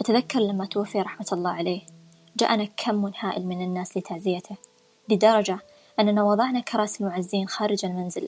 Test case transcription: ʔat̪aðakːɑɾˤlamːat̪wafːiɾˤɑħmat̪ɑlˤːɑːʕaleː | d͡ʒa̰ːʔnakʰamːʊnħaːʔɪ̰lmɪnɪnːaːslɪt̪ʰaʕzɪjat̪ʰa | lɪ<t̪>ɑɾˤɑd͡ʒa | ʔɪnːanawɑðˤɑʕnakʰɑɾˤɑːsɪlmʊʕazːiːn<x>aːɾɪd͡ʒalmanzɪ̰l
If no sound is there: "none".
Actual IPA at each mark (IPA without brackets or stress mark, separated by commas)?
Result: d̪, x